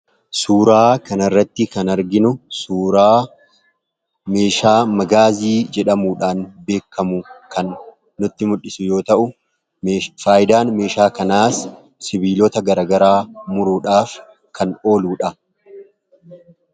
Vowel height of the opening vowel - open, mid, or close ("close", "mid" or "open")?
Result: close